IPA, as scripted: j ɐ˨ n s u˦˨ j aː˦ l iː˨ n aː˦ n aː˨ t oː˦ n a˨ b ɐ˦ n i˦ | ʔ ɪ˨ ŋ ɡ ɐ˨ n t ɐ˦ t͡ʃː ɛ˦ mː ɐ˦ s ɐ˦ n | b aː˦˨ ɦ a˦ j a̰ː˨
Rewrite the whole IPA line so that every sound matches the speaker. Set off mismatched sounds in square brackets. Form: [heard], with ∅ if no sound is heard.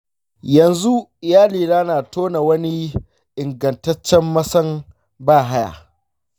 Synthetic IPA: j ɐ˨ n [z] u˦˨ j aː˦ l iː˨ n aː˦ n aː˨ t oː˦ n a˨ [w] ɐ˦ n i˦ | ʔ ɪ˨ ŋ ɡ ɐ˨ n t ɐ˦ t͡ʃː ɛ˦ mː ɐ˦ s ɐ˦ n | b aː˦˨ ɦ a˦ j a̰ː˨